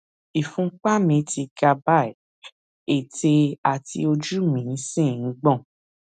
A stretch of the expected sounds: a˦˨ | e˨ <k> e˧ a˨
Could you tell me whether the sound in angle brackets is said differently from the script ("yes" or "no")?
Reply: yes